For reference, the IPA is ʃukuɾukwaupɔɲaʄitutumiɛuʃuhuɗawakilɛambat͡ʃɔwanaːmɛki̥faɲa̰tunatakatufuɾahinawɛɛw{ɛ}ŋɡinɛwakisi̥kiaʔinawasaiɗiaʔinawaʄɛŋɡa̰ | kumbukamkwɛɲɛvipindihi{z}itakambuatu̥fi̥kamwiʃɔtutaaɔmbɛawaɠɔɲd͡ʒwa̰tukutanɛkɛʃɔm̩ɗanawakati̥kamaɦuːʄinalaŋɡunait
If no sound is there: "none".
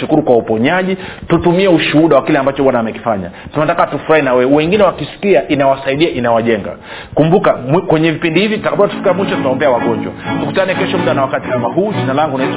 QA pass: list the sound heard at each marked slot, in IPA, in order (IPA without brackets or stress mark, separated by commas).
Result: ɛ, v